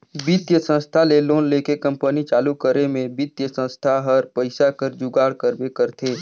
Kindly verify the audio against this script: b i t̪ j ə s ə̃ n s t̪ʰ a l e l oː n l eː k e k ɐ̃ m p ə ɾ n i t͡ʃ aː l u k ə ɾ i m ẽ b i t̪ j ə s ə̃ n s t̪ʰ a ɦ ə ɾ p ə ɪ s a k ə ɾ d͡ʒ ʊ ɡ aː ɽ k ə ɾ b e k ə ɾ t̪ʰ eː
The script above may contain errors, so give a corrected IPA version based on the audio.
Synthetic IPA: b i t̪ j ə s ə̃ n s t̪ʰ a l e l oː n l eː k e k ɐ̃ m p ə n i t͡ʃ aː l u k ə ɾ e m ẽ b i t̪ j ə s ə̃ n s t̪ʰ a ɦ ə ɾ p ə ɪ s a k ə ɾ d͡ʒ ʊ ɡ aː ɽ k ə ɾ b e k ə ɾ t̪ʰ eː